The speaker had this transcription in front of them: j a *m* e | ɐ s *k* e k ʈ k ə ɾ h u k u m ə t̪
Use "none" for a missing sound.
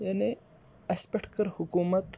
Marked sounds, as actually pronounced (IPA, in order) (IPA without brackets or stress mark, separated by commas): n, p